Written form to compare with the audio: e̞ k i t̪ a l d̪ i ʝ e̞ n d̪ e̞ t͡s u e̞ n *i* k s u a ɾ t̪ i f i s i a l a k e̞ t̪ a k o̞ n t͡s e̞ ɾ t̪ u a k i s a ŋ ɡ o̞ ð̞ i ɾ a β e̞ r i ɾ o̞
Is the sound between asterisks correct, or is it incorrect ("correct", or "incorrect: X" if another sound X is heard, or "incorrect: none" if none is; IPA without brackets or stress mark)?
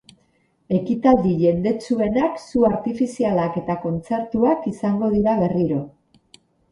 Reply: incorrect: a